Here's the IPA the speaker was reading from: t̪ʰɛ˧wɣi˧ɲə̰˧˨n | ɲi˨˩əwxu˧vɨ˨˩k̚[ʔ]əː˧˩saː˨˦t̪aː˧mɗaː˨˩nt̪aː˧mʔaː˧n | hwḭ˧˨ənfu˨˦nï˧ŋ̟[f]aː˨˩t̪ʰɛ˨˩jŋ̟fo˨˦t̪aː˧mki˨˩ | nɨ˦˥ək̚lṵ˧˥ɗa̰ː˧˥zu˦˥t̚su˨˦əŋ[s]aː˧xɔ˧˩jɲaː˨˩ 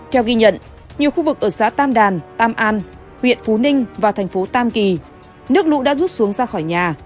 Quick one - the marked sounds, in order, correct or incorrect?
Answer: correct, incorrect, incorrect

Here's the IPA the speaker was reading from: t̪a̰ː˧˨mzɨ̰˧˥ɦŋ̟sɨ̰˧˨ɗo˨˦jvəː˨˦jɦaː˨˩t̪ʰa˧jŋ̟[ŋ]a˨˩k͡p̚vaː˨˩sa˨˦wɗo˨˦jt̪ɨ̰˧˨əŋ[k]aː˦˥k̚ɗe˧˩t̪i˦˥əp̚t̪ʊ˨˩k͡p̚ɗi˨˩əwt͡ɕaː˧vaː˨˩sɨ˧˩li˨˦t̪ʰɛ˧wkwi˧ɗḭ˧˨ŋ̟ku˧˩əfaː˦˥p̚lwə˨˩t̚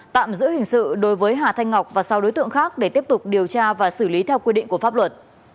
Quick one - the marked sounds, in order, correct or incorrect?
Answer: correct, incorrect

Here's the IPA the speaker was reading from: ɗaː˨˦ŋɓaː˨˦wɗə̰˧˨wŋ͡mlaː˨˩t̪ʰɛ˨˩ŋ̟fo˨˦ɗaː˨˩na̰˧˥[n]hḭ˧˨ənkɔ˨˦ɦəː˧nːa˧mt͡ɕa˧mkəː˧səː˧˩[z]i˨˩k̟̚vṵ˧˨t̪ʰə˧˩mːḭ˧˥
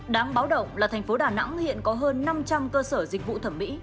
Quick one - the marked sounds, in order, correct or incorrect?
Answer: incorrect, correct

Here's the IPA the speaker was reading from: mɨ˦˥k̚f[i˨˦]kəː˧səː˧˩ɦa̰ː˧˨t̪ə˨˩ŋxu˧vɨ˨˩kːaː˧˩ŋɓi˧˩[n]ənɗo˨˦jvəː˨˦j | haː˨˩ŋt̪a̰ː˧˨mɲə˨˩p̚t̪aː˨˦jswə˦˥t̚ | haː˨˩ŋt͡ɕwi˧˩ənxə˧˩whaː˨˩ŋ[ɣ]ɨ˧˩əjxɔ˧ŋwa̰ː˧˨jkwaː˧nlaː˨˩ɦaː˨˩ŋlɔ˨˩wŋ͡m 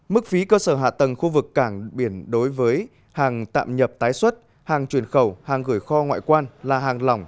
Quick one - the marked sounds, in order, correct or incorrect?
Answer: correct, incorrect, correct

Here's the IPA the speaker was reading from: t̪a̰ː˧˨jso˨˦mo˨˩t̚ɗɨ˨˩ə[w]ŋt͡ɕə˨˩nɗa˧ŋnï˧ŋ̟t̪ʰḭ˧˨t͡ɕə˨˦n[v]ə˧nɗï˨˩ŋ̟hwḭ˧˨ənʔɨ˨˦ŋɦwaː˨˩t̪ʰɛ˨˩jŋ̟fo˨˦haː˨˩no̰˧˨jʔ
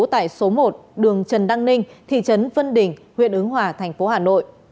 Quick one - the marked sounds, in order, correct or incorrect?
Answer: incorrect, correct

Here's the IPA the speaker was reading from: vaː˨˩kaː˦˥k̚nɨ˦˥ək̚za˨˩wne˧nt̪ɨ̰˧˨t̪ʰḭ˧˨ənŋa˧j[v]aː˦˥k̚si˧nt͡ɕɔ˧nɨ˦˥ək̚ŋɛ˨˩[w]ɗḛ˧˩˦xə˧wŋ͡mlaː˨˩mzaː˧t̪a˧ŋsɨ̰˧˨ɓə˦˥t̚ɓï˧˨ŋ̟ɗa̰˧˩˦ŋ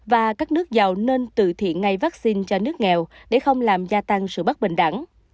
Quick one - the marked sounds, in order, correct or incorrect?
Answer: correct, correct

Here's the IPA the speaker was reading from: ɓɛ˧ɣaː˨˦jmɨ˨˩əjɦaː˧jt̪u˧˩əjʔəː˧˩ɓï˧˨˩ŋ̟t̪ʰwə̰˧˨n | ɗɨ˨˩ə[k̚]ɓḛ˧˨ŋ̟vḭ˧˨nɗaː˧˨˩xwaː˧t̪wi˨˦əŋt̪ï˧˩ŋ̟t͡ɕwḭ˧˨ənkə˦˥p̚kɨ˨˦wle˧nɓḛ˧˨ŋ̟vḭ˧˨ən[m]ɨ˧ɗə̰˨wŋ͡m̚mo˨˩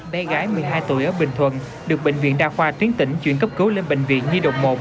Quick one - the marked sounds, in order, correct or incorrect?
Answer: correct, incorrect

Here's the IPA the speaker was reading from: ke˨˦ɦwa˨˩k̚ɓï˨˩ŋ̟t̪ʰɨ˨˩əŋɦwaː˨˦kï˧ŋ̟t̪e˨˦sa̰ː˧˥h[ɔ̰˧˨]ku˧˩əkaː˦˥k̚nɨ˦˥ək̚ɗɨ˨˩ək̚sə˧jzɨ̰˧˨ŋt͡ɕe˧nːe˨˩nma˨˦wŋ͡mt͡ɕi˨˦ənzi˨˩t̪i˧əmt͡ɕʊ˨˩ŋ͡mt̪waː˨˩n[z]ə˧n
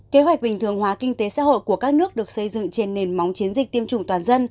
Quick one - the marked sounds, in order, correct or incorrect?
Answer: incorrect, correct

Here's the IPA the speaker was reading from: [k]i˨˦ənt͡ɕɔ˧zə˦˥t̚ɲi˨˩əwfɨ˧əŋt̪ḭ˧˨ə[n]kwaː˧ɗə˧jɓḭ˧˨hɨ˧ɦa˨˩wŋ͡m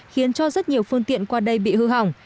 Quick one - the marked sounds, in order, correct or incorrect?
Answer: incorrect, correct

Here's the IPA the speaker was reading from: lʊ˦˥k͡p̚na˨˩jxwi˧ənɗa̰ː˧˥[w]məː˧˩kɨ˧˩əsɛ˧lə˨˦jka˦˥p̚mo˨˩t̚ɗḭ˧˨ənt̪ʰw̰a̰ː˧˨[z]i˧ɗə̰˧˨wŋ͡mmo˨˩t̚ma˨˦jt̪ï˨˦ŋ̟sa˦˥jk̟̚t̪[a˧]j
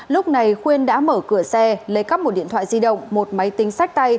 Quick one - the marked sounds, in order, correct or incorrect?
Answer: incorrect, correct, correct

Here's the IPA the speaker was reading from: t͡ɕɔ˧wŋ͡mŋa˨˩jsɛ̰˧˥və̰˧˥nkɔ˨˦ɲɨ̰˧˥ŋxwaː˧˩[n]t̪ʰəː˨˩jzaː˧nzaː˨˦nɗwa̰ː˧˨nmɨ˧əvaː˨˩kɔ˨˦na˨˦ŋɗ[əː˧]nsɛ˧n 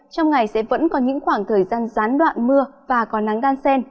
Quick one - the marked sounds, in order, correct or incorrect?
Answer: incorrect, incorrect

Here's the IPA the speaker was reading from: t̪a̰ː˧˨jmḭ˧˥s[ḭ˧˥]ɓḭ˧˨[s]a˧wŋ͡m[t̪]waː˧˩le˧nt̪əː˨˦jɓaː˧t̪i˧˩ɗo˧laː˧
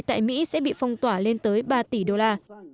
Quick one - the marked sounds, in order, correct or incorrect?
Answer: incorrect, incorrect, correct

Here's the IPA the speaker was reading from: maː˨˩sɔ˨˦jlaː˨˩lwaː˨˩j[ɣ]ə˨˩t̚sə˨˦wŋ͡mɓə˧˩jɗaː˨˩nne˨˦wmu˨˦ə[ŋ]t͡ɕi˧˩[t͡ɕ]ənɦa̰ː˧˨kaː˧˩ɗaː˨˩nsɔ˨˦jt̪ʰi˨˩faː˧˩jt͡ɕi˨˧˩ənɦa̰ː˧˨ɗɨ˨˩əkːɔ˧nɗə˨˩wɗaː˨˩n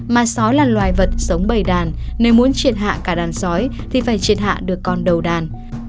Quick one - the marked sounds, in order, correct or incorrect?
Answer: incorrect, incorrect, incorrect

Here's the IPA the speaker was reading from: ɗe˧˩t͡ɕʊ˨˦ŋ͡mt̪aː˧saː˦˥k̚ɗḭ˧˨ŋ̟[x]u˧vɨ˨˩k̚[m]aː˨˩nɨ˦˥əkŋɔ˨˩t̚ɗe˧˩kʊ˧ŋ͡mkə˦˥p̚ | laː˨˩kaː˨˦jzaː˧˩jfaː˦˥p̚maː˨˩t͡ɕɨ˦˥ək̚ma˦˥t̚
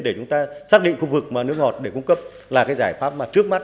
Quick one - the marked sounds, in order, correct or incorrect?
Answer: correct, correct

